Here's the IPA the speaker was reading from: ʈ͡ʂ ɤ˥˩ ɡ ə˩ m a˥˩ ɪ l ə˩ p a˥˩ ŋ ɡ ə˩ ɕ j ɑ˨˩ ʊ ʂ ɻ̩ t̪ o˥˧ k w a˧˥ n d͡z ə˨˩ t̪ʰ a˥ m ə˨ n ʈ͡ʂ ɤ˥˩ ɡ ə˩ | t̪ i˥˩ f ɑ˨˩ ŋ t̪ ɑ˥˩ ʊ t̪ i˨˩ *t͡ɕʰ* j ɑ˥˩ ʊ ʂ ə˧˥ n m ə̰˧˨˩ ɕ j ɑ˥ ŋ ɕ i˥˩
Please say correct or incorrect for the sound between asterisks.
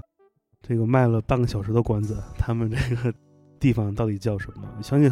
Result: incorrect